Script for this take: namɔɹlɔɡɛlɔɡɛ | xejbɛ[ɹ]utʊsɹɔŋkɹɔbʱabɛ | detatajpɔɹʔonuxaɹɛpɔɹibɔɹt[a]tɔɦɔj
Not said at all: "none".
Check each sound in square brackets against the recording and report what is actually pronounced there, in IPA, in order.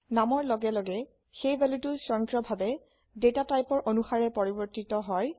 l, i

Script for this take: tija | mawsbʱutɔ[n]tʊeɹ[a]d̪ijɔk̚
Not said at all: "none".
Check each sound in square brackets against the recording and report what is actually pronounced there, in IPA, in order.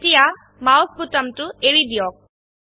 m, i

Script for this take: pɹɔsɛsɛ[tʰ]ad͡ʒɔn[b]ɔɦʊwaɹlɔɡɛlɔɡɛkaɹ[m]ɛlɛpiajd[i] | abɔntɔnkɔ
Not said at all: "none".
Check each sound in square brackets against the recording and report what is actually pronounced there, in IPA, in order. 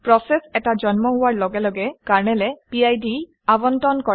t, m, n, i

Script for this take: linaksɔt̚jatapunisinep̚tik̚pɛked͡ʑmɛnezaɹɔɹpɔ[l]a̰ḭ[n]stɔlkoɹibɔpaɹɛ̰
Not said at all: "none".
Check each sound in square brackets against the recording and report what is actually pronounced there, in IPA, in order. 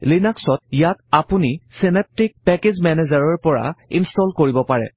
ɹ, n

